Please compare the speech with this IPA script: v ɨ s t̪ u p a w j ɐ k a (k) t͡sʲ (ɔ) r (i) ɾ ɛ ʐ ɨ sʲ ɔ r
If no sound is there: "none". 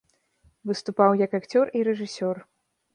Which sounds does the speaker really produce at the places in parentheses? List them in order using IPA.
k, ɔ, i

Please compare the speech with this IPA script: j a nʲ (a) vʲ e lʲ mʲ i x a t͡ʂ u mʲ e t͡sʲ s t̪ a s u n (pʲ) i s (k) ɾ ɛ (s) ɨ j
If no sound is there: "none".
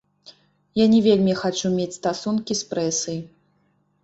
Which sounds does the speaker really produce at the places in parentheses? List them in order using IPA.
ɛ, kʲ, p, s

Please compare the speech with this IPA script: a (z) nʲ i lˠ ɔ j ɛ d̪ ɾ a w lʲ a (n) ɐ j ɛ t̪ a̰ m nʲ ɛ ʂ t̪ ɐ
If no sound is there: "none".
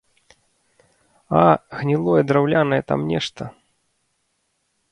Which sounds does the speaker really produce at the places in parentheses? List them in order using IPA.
ɣ, n

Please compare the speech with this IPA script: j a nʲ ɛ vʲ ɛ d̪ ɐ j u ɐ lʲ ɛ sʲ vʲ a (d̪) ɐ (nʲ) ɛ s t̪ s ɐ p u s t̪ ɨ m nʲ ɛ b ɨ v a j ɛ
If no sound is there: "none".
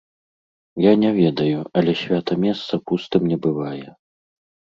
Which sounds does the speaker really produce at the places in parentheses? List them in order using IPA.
t̪, mʲ

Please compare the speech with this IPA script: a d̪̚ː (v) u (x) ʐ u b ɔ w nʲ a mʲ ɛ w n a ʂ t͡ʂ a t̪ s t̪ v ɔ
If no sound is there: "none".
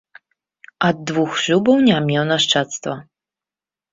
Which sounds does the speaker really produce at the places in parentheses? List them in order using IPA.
v, x

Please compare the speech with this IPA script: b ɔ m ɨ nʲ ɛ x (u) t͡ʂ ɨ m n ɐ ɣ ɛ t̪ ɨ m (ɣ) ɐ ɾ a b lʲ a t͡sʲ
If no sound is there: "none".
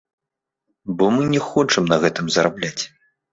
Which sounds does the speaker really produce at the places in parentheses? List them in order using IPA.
ɔ, z

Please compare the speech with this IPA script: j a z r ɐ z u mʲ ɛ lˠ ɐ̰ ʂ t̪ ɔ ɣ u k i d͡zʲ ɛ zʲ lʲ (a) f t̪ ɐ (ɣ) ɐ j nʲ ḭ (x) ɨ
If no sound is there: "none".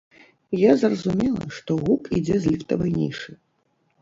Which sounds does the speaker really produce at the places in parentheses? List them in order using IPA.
i, v, ʂ

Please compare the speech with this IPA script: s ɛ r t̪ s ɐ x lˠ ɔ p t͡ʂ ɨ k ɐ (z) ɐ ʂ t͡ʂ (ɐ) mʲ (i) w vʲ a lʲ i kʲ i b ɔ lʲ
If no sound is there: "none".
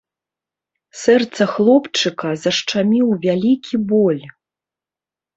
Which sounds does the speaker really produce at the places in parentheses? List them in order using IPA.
z, a, i

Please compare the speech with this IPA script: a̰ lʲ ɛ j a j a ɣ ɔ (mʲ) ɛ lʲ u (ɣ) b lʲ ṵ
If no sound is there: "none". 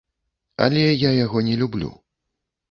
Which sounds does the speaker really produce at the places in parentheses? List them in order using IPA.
nʲ, none

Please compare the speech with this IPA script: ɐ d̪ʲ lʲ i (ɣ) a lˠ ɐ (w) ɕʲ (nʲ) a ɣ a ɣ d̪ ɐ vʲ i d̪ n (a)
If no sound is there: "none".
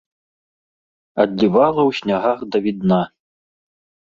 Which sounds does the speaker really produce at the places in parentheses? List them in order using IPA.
v, w, nʲ, a

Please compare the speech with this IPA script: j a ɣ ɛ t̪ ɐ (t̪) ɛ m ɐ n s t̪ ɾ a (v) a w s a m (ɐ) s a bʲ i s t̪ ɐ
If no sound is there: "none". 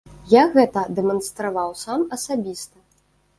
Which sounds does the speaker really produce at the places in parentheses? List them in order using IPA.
d̪, v, ɐ

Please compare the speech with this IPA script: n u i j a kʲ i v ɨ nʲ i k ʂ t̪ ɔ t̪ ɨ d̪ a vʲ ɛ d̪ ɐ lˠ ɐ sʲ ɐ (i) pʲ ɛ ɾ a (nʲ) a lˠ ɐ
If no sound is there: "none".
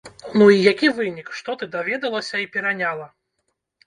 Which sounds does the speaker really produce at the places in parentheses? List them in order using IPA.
i, nʲ

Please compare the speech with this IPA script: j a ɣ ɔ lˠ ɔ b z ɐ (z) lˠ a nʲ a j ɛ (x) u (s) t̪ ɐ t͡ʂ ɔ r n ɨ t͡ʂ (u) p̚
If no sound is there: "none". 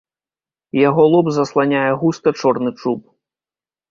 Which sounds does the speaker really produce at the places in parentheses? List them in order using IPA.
s, ɣ, s, u

